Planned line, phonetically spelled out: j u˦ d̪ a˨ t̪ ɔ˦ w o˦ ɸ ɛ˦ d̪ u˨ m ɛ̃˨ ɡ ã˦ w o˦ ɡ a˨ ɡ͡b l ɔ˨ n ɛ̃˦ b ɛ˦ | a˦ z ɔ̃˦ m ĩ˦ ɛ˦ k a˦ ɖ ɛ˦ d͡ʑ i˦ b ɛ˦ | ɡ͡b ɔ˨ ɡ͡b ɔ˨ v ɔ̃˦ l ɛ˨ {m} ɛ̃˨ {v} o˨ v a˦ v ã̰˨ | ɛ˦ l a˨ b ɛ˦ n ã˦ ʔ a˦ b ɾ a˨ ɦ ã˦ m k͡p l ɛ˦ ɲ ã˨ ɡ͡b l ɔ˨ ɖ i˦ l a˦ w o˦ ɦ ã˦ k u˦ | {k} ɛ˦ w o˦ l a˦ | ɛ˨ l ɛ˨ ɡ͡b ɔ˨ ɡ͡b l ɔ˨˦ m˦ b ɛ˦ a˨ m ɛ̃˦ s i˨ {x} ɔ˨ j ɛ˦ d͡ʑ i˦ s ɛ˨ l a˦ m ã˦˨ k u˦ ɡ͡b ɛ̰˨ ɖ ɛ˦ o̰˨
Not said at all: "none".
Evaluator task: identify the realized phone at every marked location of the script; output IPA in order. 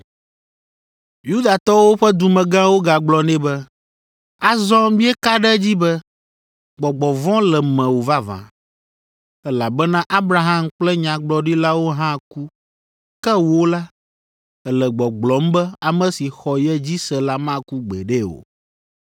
m, w, k, x

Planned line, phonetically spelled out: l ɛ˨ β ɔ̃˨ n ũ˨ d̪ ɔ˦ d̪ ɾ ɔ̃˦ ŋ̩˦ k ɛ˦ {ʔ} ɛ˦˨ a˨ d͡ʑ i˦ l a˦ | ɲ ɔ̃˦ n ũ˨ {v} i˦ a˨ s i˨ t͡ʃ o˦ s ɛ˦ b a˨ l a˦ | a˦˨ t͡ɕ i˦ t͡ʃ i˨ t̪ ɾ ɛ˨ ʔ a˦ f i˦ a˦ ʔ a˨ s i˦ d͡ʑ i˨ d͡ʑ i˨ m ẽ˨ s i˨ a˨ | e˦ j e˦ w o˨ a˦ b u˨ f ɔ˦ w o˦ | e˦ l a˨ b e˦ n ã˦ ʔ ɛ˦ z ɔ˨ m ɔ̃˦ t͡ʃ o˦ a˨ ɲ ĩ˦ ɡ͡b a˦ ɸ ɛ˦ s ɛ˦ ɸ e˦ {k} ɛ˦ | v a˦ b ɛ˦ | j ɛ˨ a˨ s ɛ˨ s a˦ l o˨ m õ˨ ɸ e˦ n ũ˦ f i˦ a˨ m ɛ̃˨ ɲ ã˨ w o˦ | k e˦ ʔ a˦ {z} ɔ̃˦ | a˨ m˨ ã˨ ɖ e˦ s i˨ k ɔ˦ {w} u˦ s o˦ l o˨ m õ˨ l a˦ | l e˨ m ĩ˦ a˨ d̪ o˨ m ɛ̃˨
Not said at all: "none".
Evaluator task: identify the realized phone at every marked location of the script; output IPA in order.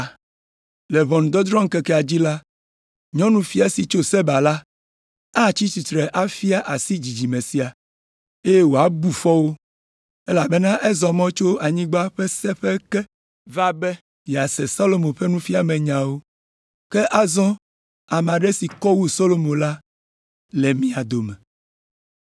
k, f, k, z, w

